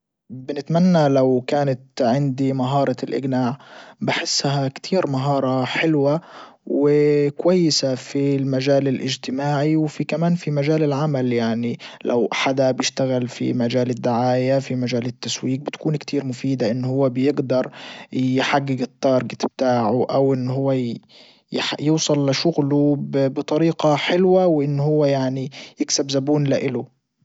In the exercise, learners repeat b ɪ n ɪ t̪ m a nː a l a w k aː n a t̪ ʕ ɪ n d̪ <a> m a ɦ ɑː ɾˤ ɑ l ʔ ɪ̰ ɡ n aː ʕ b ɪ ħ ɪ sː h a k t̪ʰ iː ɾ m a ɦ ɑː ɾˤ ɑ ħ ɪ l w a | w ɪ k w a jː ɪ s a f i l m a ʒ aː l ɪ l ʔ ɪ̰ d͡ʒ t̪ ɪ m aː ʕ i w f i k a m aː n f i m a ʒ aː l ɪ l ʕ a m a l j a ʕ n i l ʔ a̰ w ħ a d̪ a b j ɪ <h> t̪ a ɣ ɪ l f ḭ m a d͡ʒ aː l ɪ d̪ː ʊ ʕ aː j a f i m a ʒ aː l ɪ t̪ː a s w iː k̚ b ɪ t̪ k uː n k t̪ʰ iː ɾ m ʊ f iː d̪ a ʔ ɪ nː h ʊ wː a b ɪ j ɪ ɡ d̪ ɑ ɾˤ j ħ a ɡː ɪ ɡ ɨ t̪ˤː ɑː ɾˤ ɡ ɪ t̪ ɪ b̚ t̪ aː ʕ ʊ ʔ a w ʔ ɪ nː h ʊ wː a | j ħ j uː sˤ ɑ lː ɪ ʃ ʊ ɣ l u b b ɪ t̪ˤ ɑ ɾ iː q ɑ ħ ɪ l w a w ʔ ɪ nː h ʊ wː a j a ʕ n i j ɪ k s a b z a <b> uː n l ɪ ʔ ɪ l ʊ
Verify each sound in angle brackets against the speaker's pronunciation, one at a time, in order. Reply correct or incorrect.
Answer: incorrect: i, incorrect: ʃ, correct

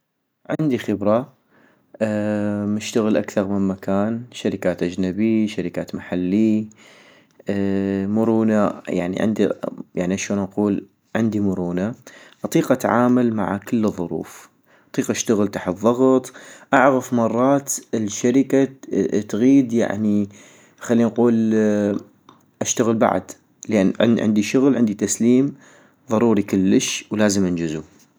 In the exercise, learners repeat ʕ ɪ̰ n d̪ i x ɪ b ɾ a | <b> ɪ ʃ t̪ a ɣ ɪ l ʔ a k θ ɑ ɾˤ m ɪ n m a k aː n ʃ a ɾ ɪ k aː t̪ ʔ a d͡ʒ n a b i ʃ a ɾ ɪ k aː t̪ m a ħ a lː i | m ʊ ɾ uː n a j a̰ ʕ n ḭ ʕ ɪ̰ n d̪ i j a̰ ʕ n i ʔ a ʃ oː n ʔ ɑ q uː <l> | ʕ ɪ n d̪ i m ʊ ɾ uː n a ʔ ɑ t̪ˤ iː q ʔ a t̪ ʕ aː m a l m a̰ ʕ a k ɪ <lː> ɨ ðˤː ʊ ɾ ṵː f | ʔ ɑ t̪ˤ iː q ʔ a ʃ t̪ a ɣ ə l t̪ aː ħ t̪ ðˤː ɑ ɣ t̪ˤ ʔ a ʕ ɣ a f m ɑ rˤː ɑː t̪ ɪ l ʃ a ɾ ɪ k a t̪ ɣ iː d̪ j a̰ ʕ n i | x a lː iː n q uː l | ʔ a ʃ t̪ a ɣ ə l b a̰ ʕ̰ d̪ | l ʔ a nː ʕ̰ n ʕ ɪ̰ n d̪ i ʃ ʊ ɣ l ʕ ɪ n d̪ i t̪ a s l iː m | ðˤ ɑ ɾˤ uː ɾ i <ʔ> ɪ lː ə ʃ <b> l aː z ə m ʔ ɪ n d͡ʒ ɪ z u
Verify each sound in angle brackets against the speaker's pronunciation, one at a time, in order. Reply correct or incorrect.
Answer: incorrect: m, correct, correct, incorrect: k, incorrect: w

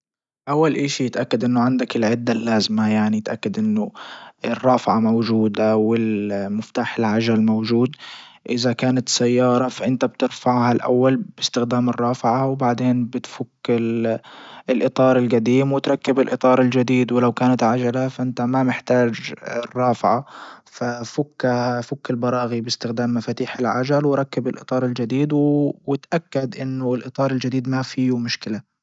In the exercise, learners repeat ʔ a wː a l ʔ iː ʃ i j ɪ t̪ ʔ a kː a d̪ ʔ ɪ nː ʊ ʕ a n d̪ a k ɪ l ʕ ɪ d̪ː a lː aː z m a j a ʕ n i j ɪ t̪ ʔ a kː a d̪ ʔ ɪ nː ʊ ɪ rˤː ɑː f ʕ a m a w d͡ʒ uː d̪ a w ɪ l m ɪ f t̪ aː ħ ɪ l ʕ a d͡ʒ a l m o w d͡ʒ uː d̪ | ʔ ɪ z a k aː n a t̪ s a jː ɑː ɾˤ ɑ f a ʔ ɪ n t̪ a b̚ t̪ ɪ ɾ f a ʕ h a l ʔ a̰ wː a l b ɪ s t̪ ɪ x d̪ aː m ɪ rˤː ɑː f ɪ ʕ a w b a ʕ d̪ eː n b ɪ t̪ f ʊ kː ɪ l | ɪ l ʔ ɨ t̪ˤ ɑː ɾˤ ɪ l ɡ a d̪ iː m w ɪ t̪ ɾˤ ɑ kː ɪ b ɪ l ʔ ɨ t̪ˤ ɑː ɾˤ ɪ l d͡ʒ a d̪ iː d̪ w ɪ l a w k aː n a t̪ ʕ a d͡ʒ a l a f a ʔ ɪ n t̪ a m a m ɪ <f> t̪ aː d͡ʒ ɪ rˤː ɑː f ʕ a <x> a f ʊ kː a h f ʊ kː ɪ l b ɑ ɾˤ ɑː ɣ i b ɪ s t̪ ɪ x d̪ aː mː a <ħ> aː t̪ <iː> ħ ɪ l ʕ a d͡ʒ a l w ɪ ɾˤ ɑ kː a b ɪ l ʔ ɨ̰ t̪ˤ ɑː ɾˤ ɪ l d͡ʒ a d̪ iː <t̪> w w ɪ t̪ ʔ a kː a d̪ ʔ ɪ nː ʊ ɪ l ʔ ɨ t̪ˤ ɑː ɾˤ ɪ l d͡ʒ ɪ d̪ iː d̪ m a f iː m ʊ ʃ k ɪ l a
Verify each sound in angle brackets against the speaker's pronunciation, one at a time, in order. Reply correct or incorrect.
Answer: incorrect: ħ, incorrect: f, incorrect: f, correct, incorrect: d̪

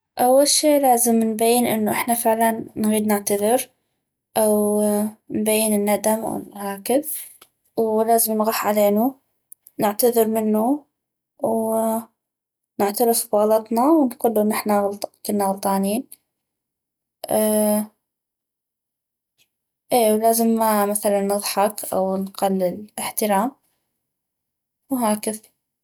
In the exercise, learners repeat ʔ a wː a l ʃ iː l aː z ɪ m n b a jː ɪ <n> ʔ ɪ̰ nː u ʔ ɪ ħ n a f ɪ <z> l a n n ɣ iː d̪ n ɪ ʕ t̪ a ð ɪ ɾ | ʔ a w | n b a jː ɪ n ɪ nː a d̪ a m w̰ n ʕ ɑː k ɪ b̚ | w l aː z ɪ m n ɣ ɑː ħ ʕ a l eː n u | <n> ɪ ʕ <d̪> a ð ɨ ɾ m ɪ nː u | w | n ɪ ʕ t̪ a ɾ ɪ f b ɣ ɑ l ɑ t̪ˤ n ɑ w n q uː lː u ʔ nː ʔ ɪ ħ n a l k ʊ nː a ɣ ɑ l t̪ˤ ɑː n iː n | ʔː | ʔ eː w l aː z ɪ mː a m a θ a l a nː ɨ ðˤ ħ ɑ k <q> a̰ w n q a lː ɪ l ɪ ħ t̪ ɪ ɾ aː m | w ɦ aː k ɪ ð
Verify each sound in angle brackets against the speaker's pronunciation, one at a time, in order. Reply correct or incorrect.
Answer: correct, incorrect: ʕ, correct, incorrect: t̪, incorrect: ʔ

